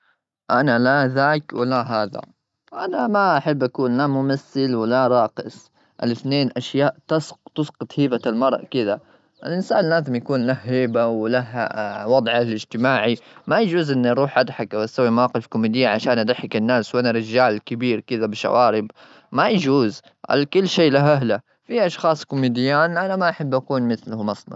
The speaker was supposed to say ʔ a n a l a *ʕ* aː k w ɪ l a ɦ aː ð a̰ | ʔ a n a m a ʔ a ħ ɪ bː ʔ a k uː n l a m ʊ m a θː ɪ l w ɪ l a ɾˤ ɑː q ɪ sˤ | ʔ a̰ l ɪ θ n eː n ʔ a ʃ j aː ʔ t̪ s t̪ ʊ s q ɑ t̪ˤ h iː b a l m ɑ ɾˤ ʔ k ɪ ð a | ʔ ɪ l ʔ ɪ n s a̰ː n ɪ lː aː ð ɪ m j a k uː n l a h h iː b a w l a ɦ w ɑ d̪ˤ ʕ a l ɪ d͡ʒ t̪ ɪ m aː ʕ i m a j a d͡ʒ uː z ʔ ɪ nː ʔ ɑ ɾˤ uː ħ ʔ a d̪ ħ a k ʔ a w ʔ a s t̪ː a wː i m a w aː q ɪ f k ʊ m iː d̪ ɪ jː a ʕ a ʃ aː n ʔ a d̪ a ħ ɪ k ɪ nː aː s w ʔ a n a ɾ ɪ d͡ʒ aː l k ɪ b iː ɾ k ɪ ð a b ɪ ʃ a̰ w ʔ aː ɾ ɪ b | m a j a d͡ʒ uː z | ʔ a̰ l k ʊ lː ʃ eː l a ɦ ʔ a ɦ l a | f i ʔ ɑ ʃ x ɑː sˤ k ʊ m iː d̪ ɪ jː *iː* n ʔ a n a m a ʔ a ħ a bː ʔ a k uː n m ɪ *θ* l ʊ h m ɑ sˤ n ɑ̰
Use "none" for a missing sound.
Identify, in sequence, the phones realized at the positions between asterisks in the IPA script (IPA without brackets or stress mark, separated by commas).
ð, aː, θ